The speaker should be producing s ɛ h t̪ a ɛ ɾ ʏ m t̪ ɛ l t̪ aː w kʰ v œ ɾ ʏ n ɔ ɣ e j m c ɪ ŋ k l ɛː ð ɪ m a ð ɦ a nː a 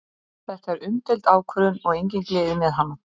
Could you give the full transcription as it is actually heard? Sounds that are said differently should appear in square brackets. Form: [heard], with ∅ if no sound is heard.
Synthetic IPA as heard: [θ] ɛ h t̪ a ɛ ɾ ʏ m t̪ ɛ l t̪ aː w kʰ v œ ɾ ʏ n ɔ ɣ e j [ɲ] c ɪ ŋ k l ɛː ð ɪ m [ɛ] ð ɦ a nː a